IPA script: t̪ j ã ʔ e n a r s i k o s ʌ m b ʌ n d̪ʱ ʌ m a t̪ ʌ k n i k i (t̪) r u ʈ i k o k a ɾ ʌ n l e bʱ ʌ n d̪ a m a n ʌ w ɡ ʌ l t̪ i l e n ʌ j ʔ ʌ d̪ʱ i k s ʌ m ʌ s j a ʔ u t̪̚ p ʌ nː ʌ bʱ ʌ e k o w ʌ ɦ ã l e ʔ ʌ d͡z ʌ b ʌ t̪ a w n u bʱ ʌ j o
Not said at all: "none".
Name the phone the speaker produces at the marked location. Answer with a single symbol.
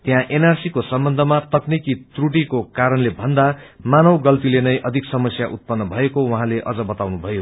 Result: t̪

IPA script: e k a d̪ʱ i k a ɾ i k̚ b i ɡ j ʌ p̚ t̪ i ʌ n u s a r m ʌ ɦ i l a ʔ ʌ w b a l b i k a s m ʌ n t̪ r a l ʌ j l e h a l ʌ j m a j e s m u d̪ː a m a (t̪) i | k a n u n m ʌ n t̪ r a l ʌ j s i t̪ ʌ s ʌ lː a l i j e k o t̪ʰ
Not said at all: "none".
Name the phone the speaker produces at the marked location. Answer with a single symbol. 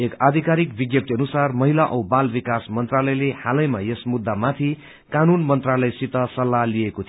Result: t̪ʰ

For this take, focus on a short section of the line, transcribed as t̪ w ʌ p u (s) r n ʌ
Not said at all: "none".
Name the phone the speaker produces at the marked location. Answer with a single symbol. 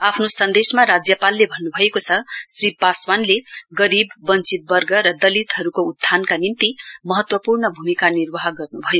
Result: none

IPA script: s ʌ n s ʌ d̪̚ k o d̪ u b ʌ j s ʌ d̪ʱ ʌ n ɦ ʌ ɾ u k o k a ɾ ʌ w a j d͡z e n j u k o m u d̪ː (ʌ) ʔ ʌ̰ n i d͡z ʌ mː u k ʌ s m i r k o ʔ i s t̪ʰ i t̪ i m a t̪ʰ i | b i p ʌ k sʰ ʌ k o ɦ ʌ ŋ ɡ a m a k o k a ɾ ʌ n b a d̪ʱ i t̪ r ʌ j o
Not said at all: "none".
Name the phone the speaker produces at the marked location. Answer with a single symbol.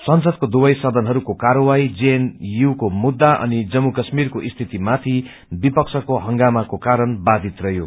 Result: a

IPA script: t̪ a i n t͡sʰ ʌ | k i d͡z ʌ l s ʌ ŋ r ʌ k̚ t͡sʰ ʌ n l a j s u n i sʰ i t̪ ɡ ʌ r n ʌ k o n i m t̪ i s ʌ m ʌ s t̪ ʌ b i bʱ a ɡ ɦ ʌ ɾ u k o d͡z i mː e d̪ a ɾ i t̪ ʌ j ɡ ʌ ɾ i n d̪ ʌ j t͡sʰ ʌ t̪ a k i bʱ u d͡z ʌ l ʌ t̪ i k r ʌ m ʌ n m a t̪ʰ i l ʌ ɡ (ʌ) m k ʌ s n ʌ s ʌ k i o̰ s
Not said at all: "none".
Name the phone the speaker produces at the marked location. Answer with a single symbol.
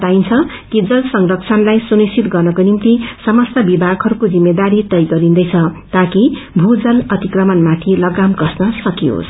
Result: a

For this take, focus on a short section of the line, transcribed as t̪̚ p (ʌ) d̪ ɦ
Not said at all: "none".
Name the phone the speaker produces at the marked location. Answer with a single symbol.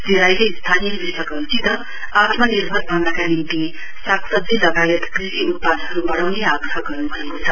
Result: a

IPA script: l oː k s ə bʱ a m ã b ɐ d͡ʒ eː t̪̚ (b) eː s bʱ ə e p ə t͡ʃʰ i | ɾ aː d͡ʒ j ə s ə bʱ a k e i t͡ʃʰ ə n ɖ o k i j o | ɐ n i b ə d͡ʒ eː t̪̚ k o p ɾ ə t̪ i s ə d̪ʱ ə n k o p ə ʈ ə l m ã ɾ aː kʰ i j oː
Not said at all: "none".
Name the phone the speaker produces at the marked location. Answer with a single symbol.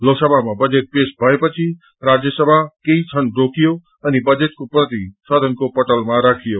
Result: p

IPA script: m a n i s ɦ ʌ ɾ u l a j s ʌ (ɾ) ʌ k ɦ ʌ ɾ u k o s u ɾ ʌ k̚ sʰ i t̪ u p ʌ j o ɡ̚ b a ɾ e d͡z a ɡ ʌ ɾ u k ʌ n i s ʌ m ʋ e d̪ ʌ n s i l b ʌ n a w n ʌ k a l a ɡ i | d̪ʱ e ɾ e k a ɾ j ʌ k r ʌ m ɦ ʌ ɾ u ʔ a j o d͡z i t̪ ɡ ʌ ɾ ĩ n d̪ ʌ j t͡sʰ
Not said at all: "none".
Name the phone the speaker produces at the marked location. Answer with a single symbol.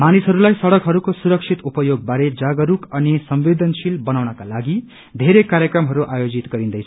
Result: ɽ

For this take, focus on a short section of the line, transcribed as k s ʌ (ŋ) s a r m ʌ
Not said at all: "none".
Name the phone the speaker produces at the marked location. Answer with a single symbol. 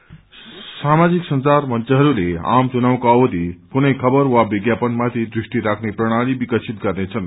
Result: n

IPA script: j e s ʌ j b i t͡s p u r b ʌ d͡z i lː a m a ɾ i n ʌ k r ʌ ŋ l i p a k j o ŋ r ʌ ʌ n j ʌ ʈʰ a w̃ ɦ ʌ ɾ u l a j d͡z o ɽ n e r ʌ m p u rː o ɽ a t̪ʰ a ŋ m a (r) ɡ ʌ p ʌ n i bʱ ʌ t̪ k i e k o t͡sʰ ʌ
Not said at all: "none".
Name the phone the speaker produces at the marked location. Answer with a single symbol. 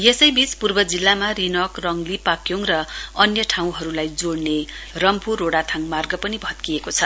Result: r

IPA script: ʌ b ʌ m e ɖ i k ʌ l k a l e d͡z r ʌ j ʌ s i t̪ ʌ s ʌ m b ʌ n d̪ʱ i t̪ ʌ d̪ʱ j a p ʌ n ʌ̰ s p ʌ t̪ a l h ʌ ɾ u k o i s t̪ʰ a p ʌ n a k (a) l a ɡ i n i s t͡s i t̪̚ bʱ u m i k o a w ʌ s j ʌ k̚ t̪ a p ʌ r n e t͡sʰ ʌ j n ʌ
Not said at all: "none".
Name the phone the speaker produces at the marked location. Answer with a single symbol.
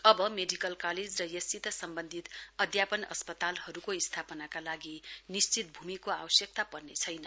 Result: a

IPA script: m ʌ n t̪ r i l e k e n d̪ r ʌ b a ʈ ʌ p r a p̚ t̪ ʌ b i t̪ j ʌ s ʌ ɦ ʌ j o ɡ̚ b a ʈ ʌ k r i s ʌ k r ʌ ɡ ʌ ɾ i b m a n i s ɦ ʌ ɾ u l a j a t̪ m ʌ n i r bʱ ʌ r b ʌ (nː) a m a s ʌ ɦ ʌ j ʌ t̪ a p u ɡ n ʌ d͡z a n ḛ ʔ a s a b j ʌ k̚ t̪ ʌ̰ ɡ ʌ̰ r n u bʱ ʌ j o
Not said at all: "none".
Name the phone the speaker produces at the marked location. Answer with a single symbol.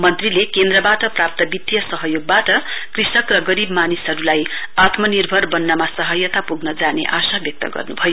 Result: nː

